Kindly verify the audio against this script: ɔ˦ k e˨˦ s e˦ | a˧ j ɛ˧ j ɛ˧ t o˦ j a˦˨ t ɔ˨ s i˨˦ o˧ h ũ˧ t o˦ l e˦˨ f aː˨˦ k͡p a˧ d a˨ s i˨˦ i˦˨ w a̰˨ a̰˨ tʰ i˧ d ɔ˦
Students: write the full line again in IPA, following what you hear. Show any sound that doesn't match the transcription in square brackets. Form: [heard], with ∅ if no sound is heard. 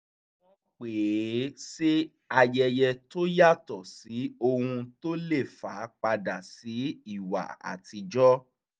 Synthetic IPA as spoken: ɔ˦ [k͡p] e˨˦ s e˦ | a˧ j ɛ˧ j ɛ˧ t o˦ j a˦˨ t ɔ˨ s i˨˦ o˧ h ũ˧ t o˦ l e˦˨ f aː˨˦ k͡p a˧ d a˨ s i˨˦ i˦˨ w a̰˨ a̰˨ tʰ i˧ [d͡ʒ] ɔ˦